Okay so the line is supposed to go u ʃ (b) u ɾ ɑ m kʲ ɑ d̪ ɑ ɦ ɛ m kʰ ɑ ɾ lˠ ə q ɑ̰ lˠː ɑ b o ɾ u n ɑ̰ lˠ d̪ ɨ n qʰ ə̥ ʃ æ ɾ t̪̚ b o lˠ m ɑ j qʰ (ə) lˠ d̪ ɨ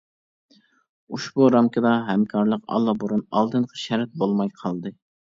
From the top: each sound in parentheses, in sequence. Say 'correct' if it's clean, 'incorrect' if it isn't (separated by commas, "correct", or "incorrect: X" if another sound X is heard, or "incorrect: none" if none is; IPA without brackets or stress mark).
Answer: correct, incorrect: ɑ